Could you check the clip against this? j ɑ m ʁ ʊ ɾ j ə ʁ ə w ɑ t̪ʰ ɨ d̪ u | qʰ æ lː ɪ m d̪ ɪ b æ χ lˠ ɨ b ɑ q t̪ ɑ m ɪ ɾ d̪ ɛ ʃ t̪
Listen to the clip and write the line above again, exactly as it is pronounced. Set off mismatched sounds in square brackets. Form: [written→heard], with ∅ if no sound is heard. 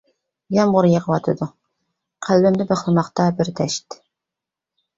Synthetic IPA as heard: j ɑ m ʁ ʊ ɾ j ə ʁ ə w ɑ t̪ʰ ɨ d̪ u | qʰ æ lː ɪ m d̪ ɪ b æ χ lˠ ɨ [b→m] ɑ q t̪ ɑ [m→b] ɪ ɾ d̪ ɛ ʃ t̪